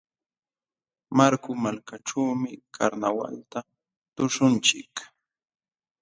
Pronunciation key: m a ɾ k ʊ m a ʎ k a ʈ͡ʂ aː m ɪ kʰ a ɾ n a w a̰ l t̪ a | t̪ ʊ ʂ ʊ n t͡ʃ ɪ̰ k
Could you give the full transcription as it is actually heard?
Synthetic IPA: m a ɾ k ʊ m a l k a ʈ͡ʂ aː m ɪ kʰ a ɾ n a w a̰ l t̪ a | t̪ ʊ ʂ ʊ n t͡ʃ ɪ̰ k